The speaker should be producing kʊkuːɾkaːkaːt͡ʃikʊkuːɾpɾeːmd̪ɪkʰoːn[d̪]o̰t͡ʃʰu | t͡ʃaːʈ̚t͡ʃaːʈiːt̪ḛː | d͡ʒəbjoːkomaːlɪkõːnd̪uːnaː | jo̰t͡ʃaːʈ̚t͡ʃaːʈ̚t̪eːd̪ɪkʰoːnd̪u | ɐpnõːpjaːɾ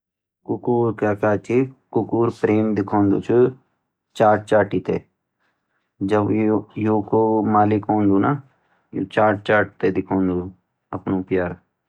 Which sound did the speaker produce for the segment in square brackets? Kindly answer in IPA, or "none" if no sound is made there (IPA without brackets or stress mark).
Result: d̪